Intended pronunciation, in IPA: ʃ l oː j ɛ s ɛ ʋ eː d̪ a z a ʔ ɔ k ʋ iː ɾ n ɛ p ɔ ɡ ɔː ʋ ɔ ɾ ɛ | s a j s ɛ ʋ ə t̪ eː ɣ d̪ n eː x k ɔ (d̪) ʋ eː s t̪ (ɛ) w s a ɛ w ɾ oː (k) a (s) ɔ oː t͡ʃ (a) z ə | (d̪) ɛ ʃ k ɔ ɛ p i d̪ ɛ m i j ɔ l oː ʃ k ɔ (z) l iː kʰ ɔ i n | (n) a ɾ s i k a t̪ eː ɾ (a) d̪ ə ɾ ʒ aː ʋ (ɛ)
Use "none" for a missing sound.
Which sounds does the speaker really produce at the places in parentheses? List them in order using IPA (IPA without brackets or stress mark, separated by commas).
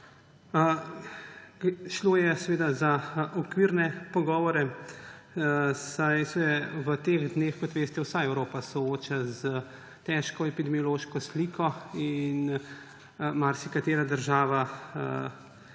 t̪, ɛ, p, s, a, t̪, s, m, a, a